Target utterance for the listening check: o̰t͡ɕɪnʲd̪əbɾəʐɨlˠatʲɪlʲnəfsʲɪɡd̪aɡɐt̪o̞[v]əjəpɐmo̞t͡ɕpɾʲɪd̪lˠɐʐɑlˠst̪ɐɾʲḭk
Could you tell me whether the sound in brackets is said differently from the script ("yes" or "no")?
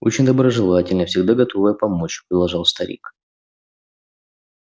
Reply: no